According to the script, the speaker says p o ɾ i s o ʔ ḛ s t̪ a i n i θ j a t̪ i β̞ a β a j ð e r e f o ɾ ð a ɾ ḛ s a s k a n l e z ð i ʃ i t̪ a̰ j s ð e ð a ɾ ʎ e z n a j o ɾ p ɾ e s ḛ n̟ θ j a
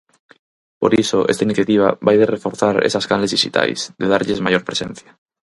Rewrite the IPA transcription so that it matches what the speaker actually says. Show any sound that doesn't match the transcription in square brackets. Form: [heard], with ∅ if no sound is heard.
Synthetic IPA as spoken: p o ɾ i s o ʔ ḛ s t̪ a i n i θ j a t̪ i β̞ a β a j ð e r e f o ɾ [θ] a ɾ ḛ s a s k a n l e z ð i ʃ i t̪ a̰ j s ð e ð a ɾ ʎ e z [m] a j o ɾ p ɾ e s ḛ n̟ θ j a